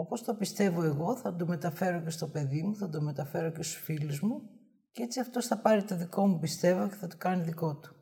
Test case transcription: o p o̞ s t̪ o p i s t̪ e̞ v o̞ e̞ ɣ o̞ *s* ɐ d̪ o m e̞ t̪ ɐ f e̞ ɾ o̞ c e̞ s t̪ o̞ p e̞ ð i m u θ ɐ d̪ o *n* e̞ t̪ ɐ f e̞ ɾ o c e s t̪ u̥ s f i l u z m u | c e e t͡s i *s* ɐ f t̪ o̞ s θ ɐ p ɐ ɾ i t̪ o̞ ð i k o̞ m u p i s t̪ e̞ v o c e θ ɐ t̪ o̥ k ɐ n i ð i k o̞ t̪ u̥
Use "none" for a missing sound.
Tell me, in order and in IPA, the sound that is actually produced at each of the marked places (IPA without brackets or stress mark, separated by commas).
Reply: θ, m, none